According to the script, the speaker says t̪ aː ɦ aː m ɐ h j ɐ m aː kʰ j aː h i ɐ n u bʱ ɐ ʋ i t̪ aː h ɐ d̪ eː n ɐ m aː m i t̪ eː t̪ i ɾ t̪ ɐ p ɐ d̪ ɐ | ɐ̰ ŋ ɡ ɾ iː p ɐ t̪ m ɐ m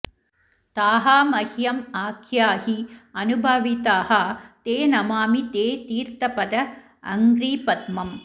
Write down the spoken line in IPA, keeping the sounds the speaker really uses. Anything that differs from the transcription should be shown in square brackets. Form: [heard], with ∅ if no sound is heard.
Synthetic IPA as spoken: t̪ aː ɦ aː m ɐ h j ɐ m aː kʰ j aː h i ɐ n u bʱ ɐ ʋ i t̪ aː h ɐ [t̪] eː n ɐ m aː m i t̪ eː t̪ [iː] ɾ t̪ ɐ p ɐ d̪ ɐ | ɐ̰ ŋ ɡ ɾ iː p ɐ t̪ m ɐ m